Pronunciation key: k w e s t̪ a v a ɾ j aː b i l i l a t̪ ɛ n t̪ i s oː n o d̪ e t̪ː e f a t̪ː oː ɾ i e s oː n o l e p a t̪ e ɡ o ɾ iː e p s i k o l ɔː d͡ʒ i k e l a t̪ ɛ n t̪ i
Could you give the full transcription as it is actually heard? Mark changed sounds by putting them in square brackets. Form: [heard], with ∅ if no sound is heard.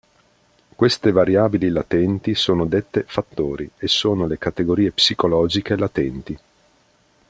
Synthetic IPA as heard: k w e s t̪ [e] v a ɾ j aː b i l i l a t̪ ɛ n t̪ i s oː n o d̪ e t̪ː e f a t̪ː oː ɾ i e s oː n o l e [k] a t̪ e ɡ o ɾ iː e p s i k o l ɔː d͡ʒ i k e l a t̪ ɛ n t̪ i